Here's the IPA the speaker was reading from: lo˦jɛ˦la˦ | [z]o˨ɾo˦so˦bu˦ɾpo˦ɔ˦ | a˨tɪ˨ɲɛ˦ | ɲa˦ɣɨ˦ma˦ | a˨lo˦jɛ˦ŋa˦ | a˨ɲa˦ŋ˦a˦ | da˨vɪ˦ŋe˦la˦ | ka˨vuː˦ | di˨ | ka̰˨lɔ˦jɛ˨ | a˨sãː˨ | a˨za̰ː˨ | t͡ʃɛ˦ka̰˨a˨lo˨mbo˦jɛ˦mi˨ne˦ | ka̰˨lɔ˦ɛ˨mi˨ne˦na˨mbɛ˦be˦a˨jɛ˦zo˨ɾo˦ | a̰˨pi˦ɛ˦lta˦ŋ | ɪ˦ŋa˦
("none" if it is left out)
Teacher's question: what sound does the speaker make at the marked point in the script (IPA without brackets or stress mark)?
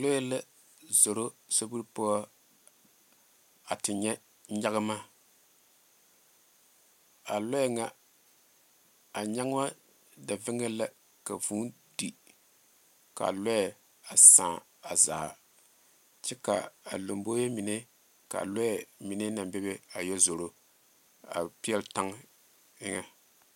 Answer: z